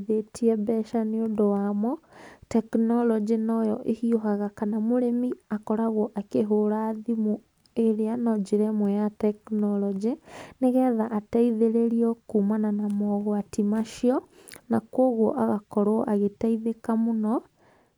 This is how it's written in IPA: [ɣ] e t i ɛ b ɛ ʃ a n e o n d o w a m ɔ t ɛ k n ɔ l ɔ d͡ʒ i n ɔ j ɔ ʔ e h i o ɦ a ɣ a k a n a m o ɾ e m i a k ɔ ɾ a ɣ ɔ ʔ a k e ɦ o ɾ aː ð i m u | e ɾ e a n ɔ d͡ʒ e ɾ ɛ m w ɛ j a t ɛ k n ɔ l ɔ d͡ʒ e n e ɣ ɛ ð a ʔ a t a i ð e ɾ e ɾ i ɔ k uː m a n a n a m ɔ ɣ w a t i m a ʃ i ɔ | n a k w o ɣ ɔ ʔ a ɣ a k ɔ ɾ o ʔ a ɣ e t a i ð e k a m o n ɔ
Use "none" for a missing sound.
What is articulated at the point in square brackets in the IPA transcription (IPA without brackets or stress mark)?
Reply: ð